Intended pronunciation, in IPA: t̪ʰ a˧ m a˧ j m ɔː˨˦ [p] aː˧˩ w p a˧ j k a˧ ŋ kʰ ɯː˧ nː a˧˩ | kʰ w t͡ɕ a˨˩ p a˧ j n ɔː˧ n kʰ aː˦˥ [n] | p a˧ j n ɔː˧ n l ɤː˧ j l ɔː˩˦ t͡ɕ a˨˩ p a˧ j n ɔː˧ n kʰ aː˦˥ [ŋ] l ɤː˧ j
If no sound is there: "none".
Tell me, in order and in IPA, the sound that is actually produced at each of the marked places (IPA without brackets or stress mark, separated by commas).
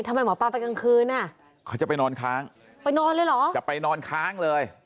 p, ŋ, ŋ